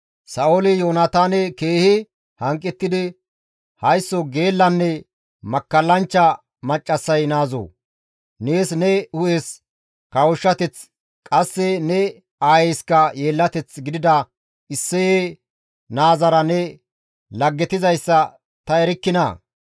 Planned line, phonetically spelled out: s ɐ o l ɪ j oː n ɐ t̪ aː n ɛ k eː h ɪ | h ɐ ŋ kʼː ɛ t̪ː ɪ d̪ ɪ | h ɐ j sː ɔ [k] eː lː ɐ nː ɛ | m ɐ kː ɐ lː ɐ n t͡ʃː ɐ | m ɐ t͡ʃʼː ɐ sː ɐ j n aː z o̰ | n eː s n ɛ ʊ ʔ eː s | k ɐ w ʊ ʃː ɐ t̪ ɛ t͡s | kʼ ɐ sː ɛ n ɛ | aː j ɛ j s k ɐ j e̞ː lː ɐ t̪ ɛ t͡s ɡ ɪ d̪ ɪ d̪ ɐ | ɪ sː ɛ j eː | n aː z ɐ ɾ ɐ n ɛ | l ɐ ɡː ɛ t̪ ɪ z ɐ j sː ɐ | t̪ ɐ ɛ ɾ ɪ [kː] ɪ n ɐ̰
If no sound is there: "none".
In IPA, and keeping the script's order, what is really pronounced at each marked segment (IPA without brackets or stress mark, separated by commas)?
ɡ, kː